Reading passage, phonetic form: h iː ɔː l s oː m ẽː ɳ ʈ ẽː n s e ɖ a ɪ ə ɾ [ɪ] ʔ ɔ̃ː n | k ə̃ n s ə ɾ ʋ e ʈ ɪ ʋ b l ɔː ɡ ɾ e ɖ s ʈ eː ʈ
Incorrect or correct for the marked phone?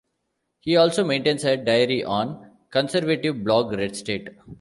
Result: incorrect: i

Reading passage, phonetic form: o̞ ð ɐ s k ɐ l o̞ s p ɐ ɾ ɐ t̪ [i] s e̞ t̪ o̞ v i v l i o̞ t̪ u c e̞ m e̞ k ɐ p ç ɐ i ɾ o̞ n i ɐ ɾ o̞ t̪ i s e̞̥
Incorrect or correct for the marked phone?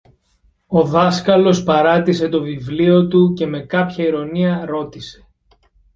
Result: correct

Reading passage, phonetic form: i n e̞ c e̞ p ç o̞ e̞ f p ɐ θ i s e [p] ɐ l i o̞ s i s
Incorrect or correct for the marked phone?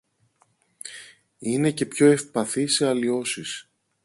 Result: incorrect: none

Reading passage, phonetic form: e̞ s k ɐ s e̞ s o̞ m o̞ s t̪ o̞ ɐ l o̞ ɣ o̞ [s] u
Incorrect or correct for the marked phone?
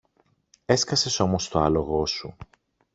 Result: correct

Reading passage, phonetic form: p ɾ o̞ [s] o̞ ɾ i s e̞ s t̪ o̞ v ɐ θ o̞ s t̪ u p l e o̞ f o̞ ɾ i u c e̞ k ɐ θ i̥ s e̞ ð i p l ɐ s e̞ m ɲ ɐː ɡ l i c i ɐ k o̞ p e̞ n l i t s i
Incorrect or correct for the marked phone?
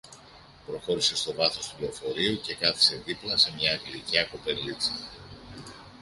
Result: incorrect: x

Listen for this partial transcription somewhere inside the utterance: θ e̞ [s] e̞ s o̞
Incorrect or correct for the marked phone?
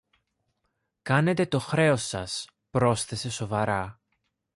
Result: correct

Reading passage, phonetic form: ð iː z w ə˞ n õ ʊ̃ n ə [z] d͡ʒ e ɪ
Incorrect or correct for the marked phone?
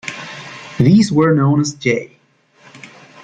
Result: correct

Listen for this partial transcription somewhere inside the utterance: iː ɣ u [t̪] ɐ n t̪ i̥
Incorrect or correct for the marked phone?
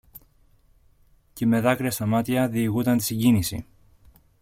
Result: correct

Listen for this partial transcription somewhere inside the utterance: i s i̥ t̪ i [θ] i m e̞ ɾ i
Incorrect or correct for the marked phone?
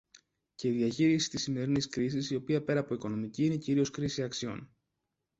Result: incorrect: s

